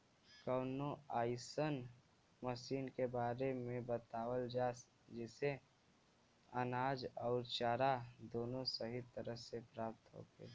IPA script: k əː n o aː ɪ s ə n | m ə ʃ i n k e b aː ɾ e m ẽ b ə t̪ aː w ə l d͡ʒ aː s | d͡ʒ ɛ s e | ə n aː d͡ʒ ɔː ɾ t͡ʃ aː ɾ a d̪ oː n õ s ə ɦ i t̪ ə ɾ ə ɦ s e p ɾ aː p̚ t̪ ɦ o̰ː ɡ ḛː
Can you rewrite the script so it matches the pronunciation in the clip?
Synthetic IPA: k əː n o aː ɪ s ə n | m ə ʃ iː n k e b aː ɾ e m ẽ b ə t̪ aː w ə l d͡ʒ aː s | d͡ʒ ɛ s e | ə n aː d͡ʒ ɔː ɾ t͡ʃ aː ɾ a d̪ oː n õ s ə ɦ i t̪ ə ɾ ə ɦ s e p ɾ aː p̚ t̪ ɦ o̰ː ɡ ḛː

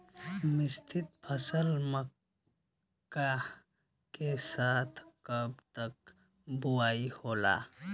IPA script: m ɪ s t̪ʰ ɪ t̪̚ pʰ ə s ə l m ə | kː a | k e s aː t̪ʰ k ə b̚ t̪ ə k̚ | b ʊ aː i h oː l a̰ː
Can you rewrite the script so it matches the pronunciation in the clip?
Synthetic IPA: m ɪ s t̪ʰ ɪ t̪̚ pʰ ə s ə l m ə | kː a | k e s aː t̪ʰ k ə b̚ t̪ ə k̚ | b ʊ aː i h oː l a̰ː

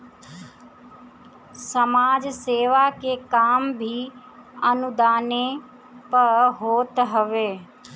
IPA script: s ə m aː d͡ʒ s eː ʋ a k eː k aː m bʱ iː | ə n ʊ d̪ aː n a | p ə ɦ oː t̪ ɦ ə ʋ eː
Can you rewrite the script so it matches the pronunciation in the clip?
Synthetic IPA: s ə m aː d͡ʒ s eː ʋ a k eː k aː m bʱ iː | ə n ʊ d̪ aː n e | p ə ɦ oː t̪ ɦ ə ʋ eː

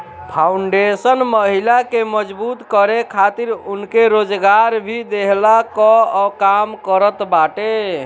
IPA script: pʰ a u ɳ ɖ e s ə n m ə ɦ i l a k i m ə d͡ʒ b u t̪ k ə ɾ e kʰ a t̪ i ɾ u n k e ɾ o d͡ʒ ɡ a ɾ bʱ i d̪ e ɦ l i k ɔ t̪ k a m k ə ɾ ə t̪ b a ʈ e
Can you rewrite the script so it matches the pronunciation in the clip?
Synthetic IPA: pʰ a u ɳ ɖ e s ə n m ə ɦ i l a k e m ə d͡ʒ b u t̪ k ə ɾ e kʰ a t̪ i ɾ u n k e ɾ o d͡ʒ ɡ a ɾ bʱ i d̪ e ɦ l a k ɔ k a m k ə ɾ ə t̪ b a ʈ e

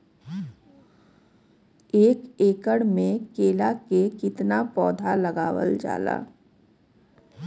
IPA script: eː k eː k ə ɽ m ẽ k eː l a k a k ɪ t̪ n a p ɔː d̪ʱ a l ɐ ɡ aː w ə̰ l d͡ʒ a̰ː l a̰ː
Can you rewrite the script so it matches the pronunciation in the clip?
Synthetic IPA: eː k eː k ə ɽ m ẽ k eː l a k e k ɪ t̪ n a p ɔː d̪ʱ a l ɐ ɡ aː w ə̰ l d͡ʒ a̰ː l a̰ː

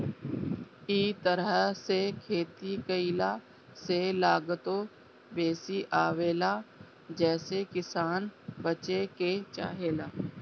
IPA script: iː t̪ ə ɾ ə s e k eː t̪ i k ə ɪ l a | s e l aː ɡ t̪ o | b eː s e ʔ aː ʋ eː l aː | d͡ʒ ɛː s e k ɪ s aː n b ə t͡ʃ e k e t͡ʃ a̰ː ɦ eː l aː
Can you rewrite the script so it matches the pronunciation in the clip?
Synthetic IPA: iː t̪ ə ɾ ə s e kʰ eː t̪ i k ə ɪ l a | s e l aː ɡ t̪ o | b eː s i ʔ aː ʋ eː l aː | d͡ʒ ɛː s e k ɪ s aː n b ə t͡ʃ e k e t͡ʃ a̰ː ɦ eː l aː

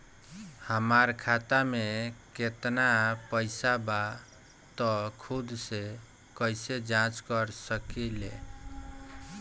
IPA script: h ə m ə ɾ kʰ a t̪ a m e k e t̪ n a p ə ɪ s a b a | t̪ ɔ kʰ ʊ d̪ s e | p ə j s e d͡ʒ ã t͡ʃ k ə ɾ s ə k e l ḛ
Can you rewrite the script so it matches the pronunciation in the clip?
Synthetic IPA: h ə m a ɾ kʰ a t̪ a m e k e t̪ n a p ə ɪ s a b a | t̪ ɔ kʰ u d̪ s e | k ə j s e d͡ʒ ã t͡ʃ k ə ɾ s ə k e l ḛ

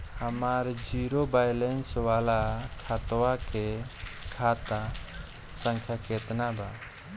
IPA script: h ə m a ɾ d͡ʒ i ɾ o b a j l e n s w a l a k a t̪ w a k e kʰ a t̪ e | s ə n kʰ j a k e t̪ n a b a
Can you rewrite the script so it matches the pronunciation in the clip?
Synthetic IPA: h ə m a ɾ d͡ʒ i ɾ o b a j l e n s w a l a kʰ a t̪ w a k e kʰ a t̪ a | s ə ŋ kʰ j a k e t̪ n a b a

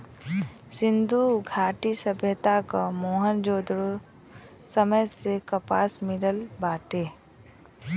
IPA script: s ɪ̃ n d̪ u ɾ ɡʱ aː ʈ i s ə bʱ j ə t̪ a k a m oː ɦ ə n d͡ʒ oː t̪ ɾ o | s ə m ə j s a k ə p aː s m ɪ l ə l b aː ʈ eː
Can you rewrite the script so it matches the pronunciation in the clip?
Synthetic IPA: s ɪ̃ n d̪ u ɡʱ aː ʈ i s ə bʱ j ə t̪ a k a m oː ɦ ə n d͡ʒ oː d̪ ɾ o | s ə m ə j s e k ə p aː s m ɪ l ə l b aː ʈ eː

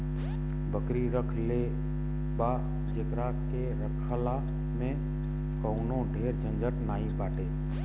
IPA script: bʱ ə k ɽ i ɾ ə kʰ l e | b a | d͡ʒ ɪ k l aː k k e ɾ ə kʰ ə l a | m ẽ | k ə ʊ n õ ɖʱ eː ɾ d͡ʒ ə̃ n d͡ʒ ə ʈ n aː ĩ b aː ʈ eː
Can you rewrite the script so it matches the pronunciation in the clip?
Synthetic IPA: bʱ ə k ɾ i ɾ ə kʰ l e | b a | d͡ʒ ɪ k ɾ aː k k e ɾ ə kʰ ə l a | m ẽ | k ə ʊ n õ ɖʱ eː ɾ d͡ʒ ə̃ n d͡ʒ ə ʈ n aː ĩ b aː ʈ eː

